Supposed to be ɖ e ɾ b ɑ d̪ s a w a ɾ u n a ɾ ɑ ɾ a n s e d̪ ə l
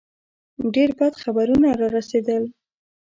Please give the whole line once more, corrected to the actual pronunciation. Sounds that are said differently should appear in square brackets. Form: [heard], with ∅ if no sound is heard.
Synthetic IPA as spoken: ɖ e ɾ b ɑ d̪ [x] a [b] a ɾ u n a ɾ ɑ ɾ a [∅] s e d̪ ə l